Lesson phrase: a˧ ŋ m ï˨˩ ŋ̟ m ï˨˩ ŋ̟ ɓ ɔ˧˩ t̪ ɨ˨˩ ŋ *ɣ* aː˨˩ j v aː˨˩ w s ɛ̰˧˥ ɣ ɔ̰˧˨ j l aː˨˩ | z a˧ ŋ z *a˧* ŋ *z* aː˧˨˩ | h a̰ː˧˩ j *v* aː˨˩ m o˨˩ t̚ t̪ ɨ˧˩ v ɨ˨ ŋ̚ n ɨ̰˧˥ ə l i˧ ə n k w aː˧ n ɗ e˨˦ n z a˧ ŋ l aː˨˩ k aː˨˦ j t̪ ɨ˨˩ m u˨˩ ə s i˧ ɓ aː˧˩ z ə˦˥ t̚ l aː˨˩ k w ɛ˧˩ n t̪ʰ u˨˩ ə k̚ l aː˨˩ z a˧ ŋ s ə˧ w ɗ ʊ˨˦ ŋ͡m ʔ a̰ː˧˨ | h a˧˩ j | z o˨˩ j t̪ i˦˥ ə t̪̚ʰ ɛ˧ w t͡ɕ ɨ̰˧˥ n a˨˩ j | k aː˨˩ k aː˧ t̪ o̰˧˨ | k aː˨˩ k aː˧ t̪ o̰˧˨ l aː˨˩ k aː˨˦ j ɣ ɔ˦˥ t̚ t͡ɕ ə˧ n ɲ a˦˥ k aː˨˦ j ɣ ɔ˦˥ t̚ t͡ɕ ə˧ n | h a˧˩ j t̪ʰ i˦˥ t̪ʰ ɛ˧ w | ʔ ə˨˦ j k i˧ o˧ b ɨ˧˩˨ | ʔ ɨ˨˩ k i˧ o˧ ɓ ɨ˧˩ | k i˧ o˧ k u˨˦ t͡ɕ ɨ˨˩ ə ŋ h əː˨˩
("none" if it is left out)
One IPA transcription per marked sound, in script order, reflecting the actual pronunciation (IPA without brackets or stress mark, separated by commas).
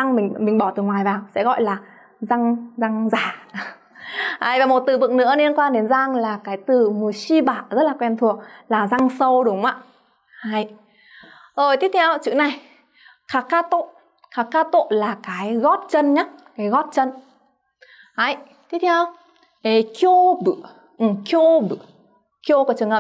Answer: w, a˧, z, v